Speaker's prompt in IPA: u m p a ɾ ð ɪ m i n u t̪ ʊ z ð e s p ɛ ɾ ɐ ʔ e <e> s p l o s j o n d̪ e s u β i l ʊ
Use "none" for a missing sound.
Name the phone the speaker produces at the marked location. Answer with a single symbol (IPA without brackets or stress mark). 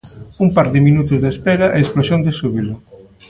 e